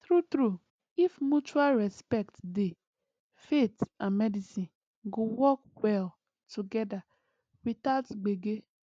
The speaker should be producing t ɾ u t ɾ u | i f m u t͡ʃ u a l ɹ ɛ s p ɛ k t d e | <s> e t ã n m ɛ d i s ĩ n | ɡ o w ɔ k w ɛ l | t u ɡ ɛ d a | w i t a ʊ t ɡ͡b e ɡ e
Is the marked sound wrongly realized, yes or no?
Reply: yes